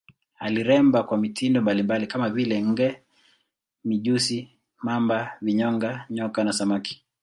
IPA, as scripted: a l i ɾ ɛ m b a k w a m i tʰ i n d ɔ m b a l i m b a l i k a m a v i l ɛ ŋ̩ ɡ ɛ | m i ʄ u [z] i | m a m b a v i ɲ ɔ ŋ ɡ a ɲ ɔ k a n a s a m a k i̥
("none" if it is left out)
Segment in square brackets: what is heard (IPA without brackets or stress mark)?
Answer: s